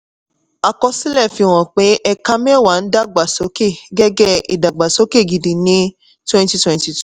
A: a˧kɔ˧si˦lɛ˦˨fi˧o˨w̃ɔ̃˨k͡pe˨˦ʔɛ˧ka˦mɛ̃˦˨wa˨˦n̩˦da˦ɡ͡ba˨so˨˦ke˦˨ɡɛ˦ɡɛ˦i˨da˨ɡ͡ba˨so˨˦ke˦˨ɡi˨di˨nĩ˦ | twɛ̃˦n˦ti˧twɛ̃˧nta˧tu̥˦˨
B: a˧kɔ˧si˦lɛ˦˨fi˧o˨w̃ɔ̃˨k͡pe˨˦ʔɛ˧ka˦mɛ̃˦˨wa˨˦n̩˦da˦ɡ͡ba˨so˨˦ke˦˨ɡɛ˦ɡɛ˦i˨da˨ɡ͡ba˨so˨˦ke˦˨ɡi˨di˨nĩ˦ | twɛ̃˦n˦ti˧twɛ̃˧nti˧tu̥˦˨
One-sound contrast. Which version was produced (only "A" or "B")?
B